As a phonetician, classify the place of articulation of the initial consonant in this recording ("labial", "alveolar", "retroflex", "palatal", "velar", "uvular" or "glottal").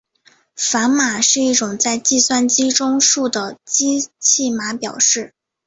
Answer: labial